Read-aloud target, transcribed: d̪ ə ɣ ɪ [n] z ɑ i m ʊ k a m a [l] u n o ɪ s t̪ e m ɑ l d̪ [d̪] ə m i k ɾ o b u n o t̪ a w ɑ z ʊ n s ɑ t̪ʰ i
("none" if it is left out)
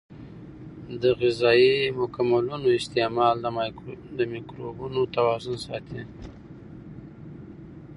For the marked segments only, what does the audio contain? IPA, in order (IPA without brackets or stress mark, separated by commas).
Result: none, l, d̪